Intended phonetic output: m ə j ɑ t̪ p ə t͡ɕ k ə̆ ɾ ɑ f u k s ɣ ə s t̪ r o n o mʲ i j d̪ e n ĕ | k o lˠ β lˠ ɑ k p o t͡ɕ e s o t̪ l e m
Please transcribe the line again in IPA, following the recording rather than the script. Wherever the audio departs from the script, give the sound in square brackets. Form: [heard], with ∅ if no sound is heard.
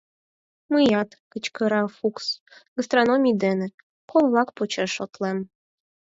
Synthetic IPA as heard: m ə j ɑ t̪ [k] ə t͡ɕ k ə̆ ɾ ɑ f u k s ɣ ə s t̪ r o n o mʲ i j d̪ e n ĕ | k o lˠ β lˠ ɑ k p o t͡ɕ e [ʃ] o t̪ l e m